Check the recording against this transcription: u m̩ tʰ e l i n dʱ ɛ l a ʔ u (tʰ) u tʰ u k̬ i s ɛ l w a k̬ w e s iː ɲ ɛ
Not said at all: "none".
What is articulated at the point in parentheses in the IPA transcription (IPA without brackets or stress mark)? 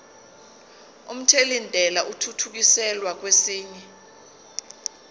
tʰ